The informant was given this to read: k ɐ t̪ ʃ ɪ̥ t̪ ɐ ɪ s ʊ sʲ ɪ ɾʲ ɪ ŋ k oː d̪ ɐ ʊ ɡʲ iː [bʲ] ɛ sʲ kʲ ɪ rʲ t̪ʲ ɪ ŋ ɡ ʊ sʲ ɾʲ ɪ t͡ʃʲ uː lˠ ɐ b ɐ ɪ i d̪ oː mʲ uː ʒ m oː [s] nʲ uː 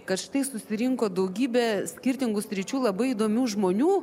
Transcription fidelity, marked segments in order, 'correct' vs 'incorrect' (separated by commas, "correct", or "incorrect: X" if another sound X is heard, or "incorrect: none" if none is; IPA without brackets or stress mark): correct, incorrect: none